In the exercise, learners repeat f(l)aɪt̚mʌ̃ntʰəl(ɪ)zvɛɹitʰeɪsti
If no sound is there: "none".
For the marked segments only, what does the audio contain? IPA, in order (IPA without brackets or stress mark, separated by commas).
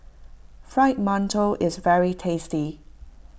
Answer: ɹ, ɪ